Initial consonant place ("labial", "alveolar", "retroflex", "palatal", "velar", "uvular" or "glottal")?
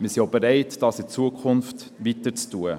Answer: labial